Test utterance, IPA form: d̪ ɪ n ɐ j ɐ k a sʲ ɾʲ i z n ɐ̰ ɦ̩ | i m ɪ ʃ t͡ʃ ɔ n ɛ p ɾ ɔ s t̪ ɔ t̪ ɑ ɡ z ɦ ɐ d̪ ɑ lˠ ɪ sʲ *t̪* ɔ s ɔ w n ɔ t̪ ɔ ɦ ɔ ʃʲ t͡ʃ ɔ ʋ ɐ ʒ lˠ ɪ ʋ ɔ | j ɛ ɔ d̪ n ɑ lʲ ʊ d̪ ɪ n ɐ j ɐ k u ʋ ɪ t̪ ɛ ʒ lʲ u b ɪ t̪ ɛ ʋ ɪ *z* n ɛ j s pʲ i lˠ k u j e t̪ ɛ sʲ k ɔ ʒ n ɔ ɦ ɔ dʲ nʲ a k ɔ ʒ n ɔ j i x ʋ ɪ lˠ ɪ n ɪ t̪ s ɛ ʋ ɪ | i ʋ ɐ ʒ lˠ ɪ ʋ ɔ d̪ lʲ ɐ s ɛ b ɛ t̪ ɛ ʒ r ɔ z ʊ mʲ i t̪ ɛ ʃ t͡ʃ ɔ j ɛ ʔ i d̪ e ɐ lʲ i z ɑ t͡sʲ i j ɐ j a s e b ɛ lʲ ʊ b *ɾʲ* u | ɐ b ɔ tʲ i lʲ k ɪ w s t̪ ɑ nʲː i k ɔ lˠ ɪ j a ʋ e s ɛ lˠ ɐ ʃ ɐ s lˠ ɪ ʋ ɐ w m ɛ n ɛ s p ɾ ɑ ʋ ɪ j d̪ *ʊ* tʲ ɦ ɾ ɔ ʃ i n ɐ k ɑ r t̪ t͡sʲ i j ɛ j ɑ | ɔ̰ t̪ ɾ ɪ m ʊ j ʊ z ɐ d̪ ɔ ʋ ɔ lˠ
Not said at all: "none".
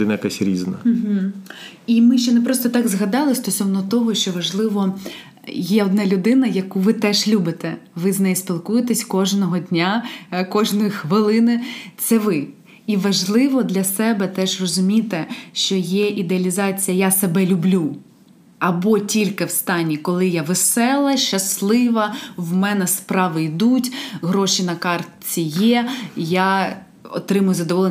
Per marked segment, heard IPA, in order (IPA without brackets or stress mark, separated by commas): t̪, z, lʲ, u